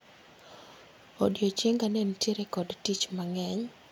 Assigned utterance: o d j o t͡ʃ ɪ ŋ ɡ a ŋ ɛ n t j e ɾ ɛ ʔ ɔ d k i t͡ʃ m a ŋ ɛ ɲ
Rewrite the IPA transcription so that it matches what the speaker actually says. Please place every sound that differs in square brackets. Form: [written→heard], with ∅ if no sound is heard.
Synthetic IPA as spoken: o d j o t͡ʃ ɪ ŋ ɡ a [ŋ→n] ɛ n t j e ɾ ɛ [ʔ→k] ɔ d [k→t] i t͡ʃ m a ŋ ɛ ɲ